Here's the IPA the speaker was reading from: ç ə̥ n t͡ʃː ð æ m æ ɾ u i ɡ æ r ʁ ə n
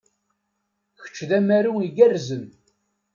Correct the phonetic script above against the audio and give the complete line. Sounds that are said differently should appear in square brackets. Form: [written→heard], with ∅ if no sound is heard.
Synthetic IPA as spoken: ç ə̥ [n→∅] t͡ʃː ð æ m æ ɾ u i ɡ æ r [ʁ→z] ə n